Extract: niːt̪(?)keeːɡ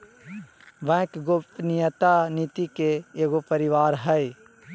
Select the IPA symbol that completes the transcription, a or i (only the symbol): i